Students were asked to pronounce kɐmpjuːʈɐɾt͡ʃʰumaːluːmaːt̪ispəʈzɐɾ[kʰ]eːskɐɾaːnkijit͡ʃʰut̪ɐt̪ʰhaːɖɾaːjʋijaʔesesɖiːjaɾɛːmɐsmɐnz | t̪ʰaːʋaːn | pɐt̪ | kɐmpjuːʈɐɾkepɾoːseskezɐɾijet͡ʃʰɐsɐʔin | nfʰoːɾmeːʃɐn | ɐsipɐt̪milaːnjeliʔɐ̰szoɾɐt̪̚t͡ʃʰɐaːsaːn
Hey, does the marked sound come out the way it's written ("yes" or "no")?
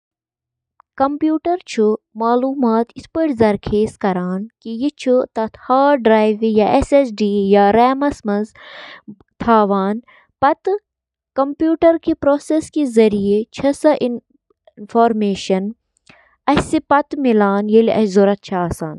yes